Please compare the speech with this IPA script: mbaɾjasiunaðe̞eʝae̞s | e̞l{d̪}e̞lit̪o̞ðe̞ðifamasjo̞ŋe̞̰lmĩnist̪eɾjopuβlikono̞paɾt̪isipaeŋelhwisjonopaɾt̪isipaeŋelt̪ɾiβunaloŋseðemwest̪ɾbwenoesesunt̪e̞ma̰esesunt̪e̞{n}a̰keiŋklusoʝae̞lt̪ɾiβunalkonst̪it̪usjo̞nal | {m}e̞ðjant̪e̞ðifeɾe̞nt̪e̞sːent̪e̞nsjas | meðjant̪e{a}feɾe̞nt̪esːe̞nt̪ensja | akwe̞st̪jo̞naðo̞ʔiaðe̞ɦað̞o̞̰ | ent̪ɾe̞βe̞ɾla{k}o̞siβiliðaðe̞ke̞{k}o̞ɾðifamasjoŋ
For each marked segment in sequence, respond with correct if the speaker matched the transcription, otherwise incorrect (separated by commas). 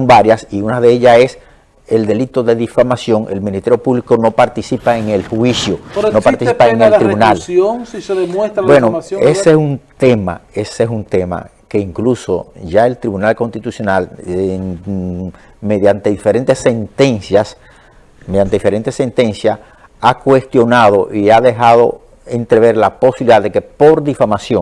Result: correct, incorrect, correct, incorrect, incorrect, incorrect